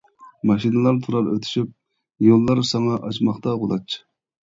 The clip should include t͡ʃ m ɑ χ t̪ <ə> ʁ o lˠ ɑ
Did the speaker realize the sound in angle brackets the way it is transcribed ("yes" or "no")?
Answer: no